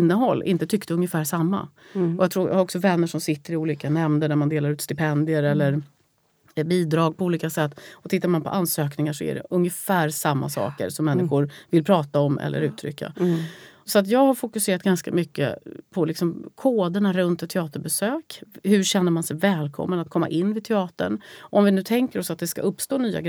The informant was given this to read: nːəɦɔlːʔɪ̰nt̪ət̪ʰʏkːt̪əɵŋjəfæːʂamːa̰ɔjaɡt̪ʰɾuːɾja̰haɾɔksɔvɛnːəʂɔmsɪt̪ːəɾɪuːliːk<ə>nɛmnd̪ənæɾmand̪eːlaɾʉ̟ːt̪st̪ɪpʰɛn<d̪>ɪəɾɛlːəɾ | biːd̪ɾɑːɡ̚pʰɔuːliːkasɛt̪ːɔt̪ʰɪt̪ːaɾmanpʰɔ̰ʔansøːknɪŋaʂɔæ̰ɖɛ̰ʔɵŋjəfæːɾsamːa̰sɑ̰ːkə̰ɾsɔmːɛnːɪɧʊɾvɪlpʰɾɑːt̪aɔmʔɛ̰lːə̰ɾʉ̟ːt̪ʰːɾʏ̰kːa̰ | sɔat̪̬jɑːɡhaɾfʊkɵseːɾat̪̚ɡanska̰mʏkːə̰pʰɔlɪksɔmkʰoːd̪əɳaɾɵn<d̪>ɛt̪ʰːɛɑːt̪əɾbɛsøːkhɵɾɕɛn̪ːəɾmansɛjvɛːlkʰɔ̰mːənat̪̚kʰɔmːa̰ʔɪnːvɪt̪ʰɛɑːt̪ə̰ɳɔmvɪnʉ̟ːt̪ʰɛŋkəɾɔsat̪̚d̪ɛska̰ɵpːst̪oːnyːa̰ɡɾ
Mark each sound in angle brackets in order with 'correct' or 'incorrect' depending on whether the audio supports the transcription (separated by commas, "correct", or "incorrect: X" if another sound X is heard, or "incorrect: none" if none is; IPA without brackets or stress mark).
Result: incorrect: a, correct, incorrect: t̪